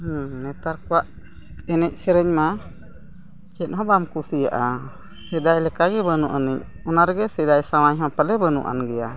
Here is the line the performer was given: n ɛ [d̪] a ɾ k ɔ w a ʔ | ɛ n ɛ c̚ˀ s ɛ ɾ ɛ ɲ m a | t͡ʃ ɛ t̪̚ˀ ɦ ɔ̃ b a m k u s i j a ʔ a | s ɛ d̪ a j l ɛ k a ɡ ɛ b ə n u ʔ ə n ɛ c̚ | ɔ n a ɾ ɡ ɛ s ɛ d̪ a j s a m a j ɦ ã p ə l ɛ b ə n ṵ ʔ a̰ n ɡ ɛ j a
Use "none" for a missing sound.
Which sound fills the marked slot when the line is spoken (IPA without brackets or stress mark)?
t̪